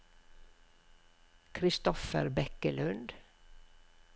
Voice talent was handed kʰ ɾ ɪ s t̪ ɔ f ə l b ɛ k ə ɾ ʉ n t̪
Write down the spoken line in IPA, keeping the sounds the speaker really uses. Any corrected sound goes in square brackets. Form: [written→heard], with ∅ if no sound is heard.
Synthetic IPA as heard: kʰ ɾ ɪ s t̪ ɔ f ə [l→ɾ] b ɛ k ə [ɾ→l] ʉ n [t̪→d̪]